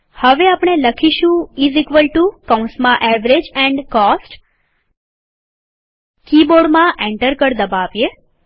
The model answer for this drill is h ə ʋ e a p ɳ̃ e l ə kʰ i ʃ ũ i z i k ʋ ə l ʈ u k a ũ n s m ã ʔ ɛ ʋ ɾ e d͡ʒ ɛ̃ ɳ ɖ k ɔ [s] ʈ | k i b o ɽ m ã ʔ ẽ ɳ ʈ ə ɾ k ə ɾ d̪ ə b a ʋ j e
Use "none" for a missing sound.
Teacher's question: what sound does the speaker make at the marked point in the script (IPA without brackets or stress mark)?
s